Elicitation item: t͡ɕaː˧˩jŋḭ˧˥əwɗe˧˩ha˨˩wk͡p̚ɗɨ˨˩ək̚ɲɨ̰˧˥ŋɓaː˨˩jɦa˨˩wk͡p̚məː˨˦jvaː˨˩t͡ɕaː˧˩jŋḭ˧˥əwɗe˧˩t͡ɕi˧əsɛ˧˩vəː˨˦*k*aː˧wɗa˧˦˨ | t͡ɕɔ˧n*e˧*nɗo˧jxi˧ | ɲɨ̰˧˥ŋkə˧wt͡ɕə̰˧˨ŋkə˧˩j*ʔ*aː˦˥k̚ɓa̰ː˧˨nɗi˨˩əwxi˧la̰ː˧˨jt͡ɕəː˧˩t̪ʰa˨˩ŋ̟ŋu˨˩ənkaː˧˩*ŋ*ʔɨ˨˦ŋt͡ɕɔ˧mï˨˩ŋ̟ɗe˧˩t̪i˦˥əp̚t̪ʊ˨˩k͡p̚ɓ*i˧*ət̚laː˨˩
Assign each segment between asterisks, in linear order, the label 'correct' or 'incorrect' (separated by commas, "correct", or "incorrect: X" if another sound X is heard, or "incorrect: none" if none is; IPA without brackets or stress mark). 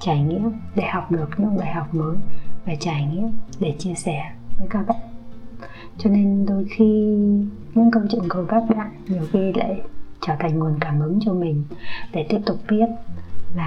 correct, correct, incorrect: k, incorrect: m, incorrect: i˦˥